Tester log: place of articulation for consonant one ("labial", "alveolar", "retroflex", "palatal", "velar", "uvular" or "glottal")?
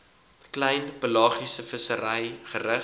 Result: velar